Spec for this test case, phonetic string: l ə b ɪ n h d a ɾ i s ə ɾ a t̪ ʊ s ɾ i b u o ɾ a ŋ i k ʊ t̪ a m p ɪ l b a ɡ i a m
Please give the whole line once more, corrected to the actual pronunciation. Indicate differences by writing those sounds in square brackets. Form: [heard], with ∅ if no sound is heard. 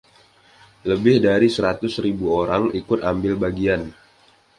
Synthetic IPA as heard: l ə b ɪ [∅] h d a ɾ i s ə ɾ a t̪ ʊ s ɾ i b u o ɾ a ŋ i k ʊ t̪ a m [b] ɪ l b a ɡ i a [n]